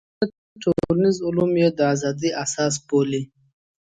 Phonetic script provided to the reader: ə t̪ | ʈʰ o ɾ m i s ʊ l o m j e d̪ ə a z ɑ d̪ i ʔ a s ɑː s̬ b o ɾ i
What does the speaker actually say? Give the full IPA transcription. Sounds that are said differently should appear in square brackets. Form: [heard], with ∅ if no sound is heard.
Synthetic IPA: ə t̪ | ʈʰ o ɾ [n] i [z] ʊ l [u] m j e d̪ ə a z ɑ d̪ i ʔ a s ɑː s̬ b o [l] i